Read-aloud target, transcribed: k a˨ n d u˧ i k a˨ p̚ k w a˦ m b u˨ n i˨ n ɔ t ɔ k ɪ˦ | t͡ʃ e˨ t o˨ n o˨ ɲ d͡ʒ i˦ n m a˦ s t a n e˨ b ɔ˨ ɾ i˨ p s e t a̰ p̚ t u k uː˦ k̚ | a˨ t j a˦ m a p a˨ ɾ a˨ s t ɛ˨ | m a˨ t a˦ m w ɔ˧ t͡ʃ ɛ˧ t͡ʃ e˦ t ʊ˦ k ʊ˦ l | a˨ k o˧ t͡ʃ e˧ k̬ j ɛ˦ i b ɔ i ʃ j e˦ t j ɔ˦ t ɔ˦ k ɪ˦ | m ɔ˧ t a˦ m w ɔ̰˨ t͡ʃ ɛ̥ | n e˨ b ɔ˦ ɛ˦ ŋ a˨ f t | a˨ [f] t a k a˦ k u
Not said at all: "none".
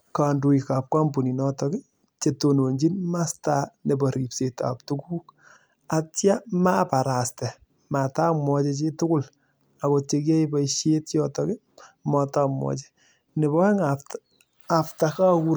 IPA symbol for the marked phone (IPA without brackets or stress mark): f